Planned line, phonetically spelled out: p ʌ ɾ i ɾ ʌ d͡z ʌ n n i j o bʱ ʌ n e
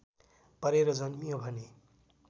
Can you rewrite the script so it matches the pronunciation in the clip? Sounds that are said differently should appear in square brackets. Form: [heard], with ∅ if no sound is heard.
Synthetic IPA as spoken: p ʌ ɾ [e] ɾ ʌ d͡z ʌ n [m] i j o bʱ ʌ n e